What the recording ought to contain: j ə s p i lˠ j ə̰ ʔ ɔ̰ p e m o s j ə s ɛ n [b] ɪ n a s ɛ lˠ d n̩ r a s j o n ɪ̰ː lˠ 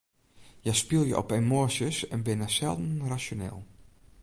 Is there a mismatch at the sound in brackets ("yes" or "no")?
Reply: no